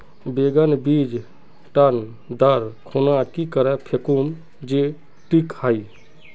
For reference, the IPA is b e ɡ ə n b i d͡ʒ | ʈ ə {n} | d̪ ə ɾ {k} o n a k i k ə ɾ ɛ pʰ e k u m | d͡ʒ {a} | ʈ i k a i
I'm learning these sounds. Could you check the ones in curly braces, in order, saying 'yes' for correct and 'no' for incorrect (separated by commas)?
yes, no, no